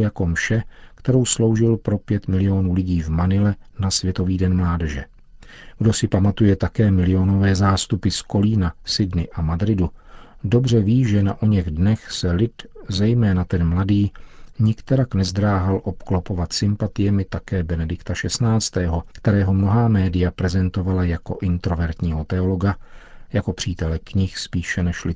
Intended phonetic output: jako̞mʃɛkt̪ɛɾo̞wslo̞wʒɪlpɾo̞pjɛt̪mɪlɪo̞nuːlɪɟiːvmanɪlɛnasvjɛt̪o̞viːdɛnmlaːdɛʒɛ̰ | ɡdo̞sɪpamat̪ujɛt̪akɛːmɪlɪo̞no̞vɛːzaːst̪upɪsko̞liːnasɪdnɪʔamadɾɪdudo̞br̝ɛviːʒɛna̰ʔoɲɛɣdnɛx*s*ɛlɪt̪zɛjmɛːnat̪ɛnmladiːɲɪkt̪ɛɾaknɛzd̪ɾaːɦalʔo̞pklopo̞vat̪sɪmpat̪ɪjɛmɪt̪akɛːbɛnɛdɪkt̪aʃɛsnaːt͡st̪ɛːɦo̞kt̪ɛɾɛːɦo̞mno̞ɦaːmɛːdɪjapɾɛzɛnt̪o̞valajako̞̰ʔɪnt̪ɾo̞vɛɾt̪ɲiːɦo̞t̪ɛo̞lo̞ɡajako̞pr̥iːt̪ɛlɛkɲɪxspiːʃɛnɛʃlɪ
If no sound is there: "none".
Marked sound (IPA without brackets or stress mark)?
s